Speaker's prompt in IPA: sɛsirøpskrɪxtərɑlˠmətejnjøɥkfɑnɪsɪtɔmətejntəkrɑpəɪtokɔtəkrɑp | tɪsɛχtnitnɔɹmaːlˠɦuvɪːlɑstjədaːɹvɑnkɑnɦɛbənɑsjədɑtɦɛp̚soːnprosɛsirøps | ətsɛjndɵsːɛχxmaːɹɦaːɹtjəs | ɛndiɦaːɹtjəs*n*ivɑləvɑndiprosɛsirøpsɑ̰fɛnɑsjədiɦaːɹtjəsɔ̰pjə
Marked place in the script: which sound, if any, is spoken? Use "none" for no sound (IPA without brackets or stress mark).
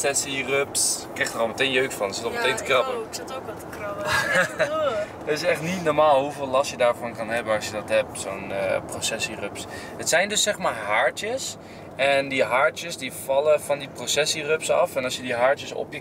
d